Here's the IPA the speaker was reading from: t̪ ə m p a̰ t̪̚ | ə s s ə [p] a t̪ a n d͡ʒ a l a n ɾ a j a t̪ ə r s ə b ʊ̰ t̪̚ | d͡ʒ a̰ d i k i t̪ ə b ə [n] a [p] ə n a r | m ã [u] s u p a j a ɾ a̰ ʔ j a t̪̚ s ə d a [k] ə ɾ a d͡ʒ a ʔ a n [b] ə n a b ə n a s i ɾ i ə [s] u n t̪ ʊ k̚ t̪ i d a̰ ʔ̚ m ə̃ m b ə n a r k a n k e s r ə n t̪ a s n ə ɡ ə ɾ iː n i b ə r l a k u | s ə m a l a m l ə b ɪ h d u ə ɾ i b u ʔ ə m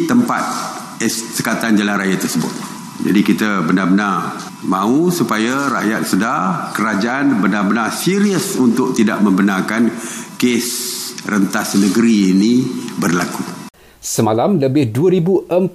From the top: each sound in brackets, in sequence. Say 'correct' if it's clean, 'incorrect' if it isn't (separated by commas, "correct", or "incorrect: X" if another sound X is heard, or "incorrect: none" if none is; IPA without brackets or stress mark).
incorrect: k, correct, incorrect: b, correct, correct, correct, correct